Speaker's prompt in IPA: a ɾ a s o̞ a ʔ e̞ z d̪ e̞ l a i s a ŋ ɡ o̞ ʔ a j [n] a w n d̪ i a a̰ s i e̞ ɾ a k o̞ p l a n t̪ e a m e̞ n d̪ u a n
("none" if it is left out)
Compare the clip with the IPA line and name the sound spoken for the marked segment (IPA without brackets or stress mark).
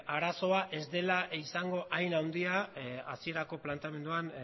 n